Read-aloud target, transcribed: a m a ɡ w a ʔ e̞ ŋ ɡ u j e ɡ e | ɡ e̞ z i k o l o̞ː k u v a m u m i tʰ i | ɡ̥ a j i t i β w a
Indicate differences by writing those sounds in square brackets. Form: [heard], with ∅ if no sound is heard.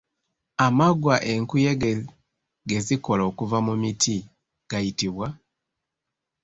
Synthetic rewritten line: a m a ɡ w a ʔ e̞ ŋ [k] u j e ɡ e | ɡ e̞ z i k o l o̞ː k u v a m u m i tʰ i | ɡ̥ a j i t i β w a